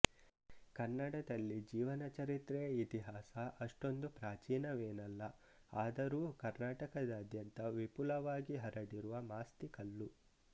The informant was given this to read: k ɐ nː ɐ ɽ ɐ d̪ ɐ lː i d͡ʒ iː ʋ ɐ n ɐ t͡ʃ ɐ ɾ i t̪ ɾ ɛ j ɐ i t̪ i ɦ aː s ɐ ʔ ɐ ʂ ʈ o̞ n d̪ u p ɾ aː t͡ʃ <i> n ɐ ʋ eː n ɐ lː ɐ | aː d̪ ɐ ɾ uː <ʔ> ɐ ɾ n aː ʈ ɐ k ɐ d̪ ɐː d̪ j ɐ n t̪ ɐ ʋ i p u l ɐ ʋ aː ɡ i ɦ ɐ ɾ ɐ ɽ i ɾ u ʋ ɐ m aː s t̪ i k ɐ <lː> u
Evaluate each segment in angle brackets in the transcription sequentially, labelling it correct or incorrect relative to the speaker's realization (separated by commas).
incorrect, incorrect, correct